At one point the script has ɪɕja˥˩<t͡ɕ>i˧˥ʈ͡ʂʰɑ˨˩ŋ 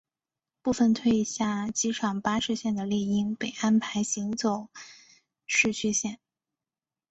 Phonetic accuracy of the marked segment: correct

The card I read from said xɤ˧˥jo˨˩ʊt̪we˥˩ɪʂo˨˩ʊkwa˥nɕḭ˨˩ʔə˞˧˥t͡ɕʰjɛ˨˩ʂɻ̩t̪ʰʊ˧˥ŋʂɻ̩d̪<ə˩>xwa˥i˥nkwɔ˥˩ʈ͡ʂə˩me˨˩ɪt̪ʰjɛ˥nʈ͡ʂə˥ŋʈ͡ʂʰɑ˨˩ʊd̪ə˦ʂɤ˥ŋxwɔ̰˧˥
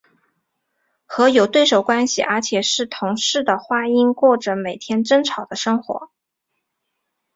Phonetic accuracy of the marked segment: correct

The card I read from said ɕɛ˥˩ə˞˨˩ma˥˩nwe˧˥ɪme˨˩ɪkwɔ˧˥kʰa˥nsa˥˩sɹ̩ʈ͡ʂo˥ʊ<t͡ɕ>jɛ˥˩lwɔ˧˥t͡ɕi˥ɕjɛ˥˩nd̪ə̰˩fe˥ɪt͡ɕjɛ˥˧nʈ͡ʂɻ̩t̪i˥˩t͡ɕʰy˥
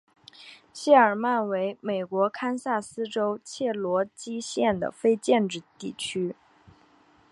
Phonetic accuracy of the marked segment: incorrect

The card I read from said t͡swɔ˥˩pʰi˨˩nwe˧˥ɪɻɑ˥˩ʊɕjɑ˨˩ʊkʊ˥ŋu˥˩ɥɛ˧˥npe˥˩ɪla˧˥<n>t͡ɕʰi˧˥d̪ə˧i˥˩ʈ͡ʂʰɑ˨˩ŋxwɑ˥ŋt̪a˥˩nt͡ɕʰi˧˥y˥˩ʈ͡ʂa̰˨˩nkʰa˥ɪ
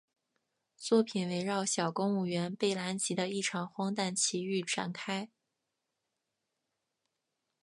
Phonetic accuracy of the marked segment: correct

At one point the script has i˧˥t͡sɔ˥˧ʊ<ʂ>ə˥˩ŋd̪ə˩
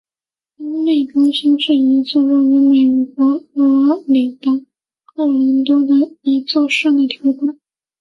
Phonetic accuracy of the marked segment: correct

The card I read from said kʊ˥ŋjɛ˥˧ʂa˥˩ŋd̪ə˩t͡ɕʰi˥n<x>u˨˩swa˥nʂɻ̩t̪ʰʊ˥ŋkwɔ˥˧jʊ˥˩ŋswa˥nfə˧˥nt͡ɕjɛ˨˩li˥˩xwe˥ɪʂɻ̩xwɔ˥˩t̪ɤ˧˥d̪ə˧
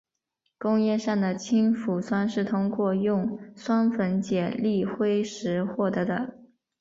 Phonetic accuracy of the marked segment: incorrect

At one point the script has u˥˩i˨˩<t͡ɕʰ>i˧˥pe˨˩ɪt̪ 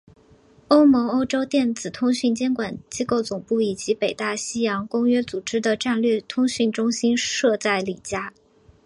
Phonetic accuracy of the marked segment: incorrect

